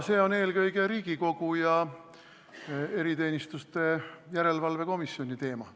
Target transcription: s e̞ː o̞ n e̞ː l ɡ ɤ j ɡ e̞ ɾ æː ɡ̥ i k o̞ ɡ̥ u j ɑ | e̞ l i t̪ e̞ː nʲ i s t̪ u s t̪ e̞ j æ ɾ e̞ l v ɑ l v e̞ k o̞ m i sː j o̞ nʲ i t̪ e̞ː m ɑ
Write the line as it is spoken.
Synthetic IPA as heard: s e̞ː o̞ n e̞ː l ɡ ɤ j ɡ e̞ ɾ iː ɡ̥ i k o̞ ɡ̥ u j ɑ | e̞ ɾ i t̪ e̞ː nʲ i s t̪ u s t̪ e̞ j æ ɾ e̞ l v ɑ l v e̞ k o̞ m i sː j o̞ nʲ i t̪ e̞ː m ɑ